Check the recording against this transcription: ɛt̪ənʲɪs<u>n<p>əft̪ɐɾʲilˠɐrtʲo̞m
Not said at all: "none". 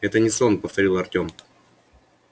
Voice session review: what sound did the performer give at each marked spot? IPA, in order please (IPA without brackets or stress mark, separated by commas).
o, p